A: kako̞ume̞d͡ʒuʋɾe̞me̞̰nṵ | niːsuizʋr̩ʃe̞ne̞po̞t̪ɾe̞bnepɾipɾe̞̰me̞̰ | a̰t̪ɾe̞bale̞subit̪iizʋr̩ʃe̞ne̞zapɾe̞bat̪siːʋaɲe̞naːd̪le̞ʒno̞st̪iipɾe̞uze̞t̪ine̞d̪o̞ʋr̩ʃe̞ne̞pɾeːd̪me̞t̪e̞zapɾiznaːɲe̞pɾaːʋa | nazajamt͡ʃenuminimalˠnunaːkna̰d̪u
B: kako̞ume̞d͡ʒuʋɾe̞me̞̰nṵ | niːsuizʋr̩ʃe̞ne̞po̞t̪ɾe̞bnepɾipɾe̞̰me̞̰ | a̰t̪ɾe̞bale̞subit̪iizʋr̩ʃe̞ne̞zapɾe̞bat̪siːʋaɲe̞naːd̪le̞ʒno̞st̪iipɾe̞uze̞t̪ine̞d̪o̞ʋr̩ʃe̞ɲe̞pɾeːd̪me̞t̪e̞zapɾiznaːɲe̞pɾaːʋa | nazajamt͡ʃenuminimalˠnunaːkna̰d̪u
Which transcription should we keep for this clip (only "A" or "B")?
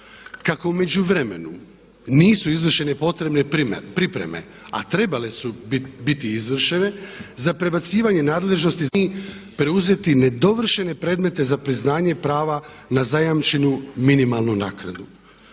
A